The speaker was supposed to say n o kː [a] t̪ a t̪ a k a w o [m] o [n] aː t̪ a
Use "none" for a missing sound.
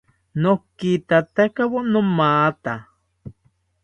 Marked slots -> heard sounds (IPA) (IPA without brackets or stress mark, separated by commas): i, n, m